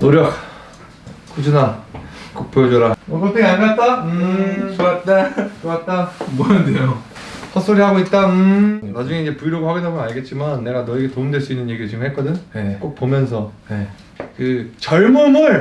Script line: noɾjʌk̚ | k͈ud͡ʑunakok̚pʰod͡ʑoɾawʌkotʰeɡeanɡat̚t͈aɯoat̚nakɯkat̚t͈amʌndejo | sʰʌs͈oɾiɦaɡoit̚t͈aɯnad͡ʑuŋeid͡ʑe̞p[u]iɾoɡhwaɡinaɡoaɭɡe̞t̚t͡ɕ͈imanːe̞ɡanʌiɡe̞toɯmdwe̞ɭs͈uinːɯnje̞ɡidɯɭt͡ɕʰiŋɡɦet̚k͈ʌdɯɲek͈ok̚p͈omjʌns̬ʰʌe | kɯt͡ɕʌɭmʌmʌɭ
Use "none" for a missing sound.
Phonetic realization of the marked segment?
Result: u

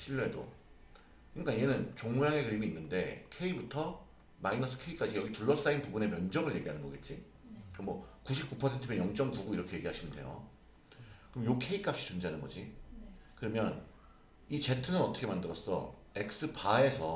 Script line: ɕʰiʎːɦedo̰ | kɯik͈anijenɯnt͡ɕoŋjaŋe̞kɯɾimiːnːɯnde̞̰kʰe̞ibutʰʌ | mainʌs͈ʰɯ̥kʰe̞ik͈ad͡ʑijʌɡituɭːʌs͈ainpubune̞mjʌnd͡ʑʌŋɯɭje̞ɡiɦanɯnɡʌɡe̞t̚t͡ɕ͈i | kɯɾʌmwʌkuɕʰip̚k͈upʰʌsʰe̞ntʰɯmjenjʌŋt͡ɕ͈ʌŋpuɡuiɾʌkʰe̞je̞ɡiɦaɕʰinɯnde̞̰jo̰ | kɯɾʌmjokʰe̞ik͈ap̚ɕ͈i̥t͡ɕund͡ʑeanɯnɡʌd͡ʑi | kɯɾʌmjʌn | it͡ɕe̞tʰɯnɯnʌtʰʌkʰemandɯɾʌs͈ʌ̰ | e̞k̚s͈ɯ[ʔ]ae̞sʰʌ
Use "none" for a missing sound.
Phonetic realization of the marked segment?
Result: p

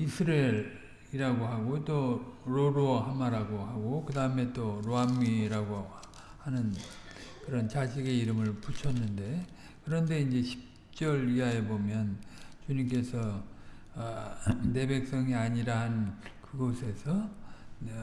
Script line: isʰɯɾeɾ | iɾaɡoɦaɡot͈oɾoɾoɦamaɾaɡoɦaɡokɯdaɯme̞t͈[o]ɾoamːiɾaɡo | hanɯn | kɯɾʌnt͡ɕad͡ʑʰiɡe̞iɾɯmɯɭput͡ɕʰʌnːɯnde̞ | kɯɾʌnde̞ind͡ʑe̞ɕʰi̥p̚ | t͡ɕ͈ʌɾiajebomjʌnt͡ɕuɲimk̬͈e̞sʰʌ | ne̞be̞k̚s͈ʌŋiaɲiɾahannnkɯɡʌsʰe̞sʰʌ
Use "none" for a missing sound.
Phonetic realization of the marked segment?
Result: o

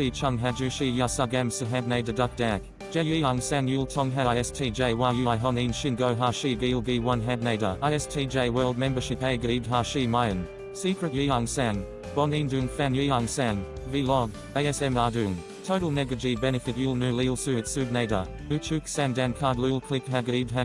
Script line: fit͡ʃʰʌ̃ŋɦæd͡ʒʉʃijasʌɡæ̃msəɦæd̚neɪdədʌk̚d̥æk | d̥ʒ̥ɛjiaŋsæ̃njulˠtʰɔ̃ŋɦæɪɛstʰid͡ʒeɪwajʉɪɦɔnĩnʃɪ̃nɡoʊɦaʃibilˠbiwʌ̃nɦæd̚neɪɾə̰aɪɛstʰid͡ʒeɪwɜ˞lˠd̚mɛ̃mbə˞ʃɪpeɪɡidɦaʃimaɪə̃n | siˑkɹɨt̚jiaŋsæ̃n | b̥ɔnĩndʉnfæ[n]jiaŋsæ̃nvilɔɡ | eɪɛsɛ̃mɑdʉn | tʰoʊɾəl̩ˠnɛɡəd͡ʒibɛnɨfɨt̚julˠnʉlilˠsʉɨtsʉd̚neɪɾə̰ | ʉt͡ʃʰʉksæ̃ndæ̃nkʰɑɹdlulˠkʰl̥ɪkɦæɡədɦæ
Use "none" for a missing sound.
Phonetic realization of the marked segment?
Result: n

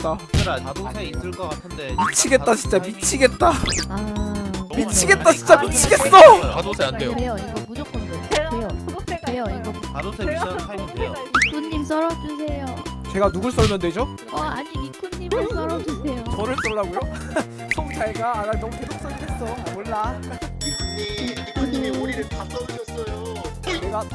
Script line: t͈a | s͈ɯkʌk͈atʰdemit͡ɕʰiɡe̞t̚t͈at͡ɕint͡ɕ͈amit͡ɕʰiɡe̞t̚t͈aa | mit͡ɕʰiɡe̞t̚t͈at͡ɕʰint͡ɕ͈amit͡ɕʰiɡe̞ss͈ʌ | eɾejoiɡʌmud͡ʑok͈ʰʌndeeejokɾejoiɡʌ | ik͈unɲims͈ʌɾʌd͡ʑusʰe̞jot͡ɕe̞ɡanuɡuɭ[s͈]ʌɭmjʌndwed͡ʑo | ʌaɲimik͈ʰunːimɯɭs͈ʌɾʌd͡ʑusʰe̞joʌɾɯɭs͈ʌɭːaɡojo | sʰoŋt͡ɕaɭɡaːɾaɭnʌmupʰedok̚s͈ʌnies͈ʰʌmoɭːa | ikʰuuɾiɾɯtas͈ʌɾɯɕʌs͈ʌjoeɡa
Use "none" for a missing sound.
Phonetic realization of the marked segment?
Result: s͈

